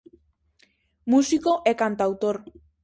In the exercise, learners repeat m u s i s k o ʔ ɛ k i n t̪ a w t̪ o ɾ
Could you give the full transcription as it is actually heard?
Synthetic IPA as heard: m u s i k o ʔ e k a n t̪ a w t̪ o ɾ